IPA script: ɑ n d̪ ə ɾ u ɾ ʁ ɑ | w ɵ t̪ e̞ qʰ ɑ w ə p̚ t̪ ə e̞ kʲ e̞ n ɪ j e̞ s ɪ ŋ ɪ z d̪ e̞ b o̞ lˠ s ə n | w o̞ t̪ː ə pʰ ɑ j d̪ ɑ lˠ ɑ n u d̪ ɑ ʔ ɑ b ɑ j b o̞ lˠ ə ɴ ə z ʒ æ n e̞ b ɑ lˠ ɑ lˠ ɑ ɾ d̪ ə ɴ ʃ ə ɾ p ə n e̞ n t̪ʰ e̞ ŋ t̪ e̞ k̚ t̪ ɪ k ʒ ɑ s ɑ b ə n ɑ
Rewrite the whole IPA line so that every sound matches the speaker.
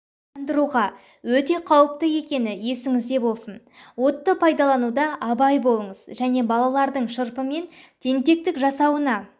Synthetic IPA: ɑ n d̪ ə ɾ u ʁ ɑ | w ɵ t̪ e̞ qʰ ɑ w ə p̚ t̪ ə e̞ kʲ e̞ n ɪ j e̞ s ɪ ŋ ɪ z d̪ e̞ b o̞ lˠ s ə n | w o̞ t̪ː ə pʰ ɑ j d̪ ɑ lˠ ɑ n u d̪ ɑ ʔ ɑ b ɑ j b o̞ lˠ ə ɴ ə z ʒ æ n e̞ b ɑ lˠ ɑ lˠ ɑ ɾ d̪ ə ɴ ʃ ə ɾ p ə m e̞ n t̪ʰ e̞ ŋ t̪ e̞ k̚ t̪ ɪ k ʒ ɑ s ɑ w ə n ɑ